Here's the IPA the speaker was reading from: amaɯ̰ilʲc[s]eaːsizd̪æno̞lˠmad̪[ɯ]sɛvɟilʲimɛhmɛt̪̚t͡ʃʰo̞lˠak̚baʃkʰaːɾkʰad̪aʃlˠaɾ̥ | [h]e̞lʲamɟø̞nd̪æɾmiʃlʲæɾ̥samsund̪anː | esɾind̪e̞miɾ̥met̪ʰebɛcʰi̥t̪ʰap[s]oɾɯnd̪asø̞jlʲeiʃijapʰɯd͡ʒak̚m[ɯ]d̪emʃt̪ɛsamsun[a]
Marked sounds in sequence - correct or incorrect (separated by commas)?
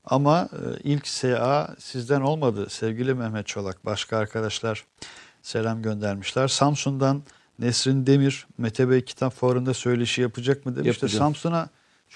correct, correct, incorrect, incorrect, correct, correct